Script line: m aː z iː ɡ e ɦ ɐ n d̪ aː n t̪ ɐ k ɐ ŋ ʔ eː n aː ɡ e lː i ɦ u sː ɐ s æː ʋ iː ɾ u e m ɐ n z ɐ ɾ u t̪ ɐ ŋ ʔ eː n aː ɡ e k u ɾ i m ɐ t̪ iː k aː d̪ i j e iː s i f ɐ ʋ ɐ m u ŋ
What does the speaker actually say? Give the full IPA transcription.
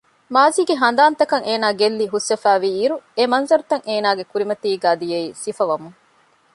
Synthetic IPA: m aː z iː ɡ e ɦ ɐ n d̪ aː n t̪ ɐ k ɐ ŋ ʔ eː n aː ɡ e lː i ɦ u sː ɐ f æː ʋ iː ɾ u e m ɐ n z ɐ ɾ u t̪ ɐ ŋ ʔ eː n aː ɡ e k u ɾ i m ɐ t̪ iː ɡ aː d̪ i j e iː s i f ɐ ʋ ɐ m u ŋ